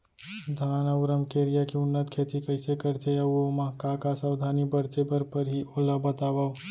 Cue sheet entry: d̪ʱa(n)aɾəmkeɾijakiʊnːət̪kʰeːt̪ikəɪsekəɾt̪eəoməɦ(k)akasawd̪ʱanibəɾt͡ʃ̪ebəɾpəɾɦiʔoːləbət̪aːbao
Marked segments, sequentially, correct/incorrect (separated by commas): correct, correct